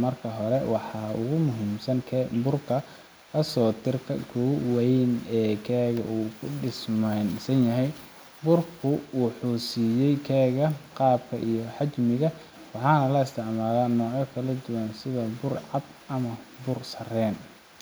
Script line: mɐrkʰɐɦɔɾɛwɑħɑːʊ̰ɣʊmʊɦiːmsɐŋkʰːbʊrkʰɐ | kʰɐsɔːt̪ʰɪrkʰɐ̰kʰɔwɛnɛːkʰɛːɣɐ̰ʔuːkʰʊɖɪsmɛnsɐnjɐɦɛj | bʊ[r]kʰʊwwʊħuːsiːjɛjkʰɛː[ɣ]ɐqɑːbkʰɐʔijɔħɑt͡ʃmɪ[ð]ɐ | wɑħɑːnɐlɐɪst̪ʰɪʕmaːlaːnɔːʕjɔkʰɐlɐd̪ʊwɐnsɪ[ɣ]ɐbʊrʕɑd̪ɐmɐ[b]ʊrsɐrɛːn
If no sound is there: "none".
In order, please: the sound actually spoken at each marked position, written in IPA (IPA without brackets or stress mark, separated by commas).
r, ɣ, ɣ, ð, b